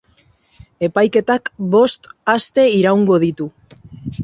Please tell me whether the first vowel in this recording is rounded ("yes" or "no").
no